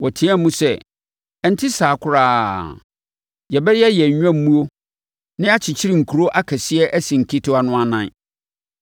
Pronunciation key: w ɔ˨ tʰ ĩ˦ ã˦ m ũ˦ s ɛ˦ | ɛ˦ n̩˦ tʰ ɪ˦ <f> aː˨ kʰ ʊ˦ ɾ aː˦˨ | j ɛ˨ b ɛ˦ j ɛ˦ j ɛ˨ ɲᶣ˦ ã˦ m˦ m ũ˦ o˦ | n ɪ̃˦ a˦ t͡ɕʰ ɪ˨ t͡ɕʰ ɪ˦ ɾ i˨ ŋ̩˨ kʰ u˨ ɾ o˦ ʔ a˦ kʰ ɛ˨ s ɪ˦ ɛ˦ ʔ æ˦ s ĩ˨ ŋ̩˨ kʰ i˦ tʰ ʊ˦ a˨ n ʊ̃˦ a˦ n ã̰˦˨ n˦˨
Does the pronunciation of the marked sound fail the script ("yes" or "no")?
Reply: yes